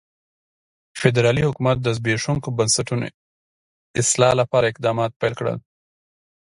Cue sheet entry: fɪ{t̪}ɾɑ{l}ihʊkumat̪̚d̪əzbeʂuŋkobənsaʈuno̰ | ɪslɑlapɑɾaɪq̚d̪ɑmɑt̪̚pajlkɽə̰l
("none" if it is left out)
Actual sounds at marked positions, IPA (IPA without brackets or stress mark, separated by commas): d̪, l